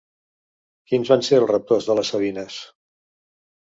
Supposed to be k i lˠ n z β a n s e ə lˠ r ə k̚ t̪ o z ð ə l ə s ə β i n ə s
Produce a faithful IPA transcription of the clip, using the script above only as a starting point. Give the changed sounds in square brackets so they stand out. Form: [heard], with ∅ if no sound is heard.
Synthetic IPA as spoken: k i [∅] n z β a n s e ə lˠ r ə [p̚] t̪ o z ð ə l ə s ə β i n ə s